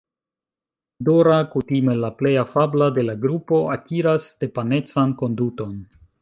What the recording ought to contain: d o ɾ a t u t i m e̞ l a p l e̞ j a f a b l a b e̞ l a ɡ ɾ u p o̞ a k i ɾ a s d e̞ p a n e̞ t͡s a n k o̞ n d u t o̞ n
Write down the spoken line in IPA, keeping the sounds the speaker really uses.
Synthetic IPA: d o ɾ a k u t i m e̞ l a p l e̞ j a f a b l a d e̞ l a ɡ ɾ u p o̞ a k i ɾ a s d e̞ p a n e̞ t͡s a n k o̞ n d u t o̞ n